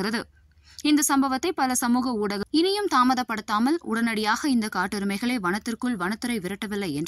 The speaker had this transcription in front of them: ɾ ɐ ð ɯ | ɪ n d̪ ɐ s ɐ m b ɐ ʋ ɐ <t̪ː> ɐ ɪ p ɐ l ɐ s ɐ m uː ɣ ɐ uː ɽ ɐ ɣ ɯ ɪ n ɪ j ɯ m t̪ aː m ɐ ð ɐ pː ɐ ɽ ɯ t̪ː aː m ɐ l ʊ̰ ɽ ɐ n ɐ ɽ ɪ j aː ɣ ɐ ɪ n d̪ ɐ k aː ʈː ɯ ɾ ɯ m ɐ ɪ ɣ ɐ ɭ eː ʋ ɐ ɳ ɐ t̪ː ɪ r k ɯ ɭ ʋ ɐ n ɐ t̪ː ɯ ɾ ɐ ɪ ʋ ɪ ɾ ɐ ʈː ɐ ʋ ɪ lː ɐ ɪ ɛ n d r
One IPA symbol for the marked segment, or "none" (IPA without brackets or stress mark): t̪ː